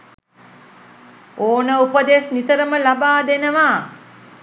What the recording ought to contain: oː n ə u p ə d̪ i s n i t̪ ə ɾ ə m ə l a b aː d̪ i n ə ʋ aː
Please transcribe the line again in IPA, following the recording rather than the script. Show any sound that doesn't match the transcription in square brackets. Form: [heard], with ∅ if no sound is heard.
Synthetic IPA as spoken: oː n ə u p ə d̪ [e] s n i t̪ ə ɾ ə m ə l a b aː d̪ [e] n ə ʋ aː